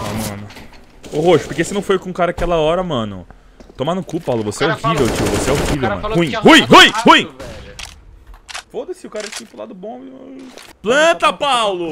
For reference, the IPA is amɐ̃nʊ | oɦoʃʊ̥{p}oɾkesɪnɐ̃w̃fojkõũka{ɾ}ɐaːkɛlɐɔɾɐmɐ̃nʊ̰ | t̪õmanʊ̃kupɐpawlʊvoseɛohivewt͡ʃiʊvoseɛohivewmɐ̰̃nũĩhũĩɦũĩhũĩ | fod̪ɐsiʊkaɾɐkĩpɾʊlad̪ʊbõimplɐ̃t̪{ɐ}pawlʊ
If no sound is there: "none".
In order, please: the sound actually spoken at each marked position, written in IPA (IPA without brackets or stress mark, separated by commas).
p, ɾ, ɐ